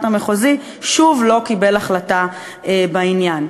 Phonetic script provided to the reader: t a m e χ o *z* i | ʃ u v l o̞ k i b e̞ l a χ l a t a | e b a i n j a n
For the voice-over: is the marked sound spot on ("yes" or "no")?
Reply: yes